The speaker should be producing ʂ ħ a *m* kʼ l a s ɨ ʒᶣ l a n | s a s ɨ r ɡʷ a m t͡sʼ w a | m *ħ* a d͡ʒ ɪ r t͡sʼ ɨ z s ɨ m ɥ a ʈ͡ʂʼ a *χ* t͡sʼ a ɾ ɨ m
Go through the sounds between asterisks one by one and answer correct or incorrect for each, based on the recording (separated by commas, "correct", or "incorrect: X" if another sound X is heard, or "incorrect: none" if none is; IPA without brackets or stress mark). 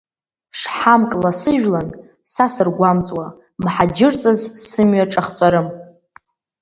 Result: correct, correct, correct